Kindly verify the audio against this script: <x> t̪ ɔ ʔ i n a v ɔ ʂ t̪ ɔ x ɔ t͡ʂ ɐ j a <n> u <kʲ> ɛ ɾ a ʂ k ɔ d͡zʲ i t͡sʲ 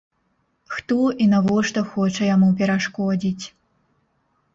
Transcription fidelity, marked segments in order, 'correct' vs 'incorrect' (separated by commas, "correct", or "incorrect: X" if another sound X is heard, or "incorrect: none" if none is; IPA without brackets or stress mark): correct, incorrect: m, incorrect: pʲ